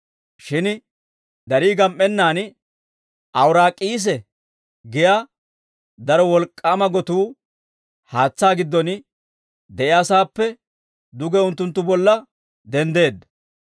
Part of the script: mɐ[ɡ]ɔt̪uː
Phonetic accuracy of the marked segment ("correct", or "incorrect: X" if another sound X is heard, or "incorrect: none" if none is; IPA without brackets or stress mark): correct